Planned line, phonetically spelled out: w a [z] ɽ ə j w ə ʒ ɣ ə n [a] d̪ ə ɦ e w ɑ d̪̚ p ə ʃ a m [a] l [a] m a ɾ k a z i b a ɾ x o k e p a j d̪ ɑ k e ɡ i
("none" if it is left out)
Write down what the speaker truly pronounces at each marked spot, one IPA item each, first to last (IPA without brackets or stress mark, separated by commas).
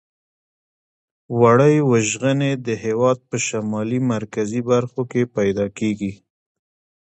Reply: none, e, ɑ, i